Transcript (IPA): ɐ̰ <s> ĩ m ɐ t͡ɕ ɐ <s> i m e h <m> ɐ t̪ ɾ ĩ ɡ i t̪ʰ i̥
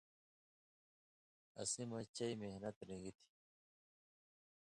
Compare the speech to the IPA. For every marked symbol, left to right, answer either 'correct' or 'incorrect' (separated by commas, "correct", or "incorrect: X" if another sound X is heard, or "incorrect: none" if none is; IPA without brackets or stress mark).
correct, incorrect: none, incorrect: n